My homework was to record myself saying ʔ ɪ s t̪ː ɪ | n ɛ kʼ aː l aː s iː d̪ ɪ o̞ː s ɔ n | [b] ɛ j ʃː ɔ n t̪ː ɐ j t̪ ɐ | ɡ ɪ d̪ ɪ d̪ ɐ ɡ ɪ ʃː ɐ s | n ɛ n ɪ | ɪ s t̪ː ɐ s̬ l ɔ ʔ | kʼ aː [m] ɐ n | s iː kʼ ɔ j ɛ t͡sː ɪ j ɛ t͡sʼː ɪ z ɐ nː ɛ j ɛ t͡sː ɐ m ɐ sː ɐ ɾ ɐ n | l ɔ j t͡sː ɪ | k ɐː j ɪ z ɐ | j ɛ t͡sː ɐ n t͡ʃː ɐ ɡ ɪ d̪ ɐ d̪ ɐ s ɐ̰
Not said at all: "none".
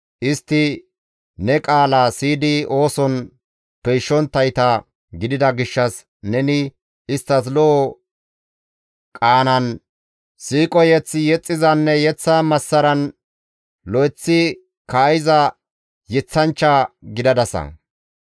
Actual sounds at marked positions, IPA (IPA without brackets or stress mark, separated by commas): p, n